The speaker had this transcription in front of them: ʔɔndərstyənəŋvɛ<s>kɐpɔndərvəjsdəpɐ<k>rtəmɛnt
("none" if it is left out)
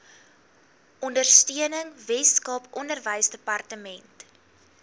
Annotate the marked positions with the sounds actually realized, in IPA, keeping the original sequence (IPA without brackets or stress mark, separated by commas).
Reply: s, none